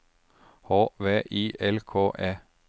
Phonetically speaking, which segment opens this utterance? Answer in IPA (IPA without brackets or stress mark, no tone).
h